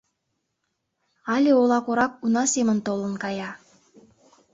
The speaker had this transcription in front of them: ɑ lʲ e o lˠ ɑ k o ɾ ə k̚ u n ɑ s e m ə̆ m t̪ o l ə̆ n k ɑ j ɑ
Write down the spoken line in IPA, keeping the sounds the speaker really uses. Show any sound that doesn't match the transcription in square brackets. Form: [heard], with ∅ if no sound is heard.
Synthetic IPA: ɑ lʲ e o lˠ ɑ k o ɾ [ɑ] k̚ u n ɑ s e m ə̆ [n] t̪ o l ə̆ n k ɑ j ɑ